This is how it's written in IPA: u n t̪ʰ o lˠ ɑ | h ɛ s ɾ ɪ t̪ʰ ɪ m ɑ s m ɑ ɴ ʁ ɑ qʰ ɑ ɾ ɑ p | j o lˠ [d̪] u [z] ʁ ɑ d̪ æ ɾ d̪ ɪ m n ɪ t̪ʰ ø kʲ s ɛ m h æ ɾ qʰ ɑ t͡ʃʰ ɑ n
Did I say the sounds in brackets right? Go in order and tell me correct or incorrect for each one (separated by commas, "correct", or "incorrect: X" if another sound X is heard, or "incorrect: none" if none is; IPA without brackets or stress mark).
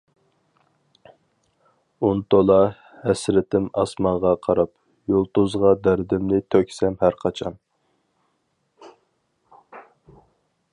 incorrect: t̪, correct